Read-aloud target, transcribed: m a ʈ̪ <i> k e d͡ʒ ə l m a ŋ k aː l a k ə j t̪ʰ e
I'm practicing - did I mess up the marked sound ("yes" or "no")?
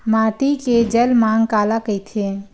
no